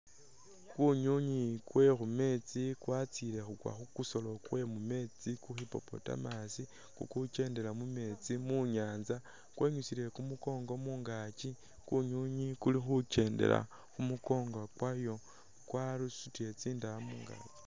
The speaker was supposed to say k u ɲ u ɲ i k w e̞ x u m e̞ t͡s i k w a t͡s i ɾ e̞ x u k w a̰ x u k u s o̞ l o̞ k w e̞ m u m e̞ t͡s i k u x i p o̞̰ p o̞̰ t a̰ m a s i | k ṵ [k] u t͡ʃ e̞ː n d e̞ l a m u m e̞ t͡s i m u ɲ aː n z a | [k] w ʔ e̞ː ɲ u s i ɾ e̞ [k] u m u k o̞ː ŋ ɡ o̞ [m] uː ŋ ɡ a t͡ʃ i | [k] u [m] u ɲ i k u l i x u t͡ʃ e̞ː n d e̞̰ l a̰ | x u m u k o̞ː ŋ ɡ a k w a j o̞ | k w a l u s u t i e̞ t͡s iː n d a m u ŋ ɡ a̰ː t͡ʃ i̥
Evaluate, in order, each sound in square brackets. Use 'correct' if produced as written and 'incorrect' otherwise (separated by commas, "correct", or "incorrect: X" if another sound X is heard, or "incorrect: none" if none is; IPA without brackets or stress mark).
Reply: correct, correct, correct, correct, correct, incorrect: ɲ